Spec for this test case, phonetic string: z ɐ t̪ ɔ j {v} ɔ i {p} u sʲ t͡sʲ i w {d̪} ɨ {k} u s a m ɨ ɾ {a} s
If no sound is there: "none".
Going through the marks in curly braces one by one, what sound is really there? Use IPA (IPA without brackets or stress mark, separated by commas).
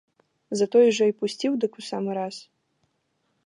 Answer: ʐ, p, d̪, k, a